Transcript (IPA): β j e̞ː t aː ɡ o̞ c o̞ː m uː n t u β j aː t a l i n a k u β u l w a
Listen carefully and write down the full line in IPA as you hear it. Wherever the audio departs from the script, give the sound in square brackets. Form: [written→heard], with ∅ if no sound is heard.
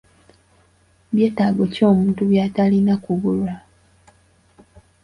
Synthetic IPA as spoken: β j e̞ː t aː ɡ o̞ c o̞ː m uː n t u β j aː t a l i n a k u β u l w a